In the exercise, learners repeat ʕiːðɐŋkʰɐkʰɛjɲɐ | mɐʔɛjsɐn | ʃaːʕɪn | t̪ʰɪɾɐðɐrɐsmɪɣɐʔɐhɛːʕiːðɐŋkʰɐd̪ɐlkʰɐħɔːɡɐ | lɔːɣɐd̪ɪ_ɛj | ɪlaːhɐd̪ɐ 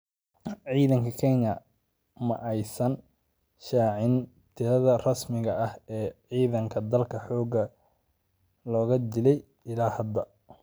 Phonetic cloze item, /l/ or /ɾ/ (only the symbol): l